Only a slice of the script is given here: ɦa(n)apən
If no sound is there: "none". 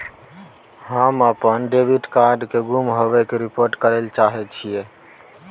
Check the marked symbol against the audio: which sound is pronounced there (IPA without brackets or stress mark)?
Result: m